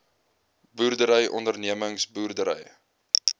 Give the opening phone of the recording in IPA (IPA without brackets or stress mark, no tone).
b